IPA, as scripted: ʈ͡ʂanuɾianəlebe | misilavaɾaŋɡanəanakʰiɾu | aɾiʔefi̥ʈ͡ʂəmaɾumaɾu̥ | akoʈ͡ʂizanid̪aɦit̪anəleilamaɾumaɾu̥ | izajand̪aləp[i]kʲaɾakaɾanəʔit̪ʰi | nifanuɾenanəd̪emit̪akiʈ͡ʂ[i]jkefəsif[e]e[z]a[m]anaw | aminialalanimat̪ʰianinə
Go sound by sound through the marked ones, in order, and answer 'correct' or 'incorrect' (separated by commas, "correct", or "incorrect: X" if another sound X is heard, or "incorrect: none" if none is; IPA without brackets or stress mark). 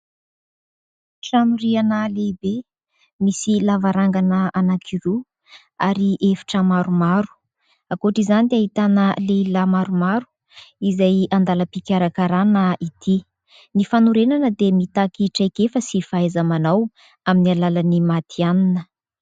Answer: correct, incorrect: a, incorrect: a, correct, correct